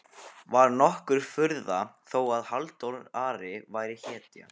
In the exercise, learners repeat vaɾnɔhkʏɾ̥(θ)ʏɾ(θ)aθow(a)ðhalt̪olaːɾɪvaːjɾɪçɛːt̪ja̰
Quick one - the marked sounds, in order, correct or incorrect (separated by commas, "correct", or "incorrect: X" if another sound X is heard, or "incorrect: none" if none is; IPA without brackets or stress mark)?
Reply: incorrect: f, incorrect: ð, correct